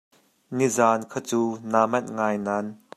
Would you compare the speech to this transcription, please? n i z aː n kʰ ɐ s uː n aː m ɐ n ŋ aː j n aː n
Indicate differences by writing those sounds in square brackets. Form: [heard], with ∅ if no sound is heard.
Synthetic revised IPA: n i z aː n kʰ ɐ [t͡s] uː n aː m ɐ n ŋ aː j n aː n